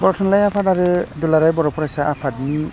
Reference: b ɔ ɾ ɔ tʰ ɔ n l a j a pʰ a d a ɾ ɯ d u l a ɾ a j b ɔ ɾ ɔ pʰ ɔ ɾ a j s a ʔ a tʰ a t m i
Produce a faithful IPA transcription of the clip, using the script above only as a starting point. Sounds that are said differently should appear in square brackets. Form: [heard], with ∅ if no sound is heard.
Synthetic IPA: b ɔ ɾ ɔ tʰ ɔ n l a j a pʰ a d a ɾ ɯ d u l a ɾ a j b ɔ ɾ ɔ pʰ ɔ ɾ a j s a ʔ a [pʰ] a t [n] i